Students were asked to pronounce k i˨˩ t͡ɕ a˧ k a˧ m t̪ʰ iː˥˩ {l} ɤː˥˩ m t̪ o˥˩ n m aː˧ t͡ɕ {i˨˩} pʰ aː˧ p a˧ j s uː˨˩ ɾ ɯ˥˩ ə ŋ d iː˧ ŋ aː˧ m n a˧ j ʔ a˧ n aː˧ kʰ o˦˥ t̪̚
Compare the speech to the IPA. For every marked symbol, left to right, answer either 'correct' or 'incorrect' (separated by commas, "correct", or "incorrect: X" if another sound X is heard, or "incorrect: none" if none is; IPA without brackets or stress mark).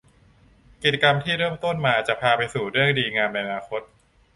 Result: incorrect: ɾ, incorrect: a˨˩